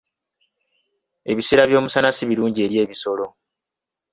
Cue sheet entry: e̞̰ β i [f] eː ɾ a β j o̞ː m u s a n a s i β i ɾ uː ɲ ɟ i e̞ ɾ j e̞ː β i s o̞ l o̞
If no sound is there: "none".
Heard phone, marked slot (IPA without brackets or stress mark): s